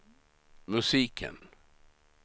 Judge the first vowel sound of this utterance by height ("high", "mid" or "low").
mid